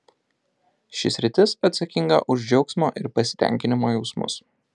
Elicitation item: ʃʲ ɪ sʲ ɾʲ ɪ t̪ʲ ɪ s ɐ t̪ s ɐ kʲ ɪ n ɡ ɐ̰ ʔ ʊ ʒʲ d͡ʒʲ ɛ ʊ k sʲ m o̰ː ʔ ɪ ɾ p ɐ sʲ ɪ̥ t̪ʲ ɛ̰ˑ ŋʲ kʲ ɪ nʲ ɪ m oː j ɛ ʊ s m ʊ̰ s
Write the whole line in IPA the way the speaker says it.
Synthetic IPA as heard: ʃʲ ɪ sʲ ɾʲ ɪ t̪ʲ ɪ s ɐ t̪ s ɐ kʲ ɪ ŋ ɡ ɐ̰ ʔ ʊ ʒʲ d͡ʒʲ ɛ ʊ k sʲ m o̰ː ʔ ɪ ɾ p ɐ sʲ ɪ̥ t̪ʲ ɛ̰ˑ ŋʲ kʲ ɪ nʲ ɪ m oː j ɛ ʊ s m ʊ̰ s